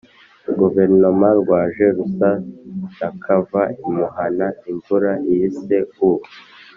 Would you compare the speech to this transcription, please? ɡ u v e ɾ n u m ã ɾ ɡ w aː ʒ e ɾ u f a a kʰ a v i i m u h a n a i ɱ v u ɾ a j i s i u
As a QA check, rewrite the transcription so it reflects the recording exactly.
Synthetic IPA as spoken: ɡ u v e ɾ n o m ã ɾ ɡ w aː ʒ e ɾ u s a a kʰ a v a i m u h a n a i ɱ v u ɾ a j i s e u